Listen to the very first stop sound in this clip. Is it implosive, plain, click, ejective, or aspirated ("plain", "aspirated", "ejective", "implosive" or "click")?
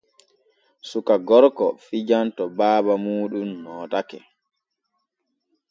plain